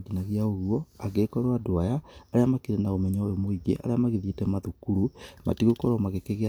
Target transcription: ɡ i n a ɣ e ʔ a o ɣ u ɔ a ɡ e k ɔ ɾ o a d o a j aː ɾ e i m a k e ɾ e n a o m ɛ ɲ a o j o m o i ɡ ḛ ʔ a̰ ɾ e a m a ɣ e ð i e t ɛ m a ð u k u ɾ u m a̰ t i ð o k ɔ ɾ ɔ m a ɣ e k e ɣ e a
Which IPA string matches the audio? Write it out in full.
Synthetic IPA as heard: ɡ i n a ɣ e a o ɣ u ɔ a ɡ e k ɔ ɾ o a d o a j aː ɾ e a m a k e ɾ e n a o m ɛ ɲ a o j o m o i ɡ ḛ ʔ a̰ ɾ e a m a ɣ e ð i e t ɛ m a ð u k u ɾ u m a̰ t i ɣ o k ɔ ɾ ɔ m a ɣ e k e ɣ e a